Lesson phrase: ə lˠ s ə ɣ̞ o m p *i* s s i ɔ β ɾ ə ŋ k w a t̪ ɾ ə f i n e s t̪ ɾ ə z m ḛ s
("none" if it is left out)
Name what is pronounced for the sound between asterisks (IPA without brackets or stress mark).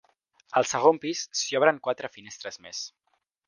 i